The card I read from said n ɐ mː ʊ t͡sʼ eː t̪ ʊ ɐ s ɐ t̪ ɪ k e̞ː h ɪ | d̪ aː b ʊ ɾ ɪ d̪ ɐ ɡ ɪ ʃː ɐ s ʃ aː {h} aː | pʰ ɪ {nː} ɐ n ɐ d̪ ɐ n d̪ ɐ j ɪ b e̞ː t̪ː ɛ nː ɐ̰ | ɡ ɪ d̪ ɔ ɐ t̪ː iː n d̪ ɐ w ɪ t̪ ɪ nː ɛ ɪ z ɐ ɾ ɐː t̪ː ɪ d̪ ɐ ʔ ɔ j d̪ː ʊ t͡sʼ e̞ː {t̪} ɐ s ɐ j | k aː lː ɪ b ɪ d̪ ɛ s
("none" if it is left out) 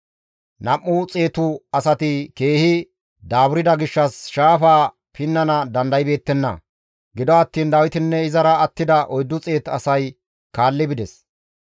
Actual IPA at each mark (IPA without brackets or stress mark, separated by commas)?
f, nː, t̪